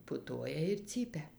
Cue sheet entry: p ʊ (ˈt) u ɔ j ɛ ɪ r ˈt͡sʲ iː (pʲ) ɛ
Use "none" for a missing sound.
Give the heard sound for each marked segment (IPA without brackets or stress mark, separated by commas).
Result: t, pʲ